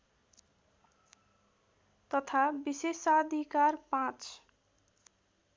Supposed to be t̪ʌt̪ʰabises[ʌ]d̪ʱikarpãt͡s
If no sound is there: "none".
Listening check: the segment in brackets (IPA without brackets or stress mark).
a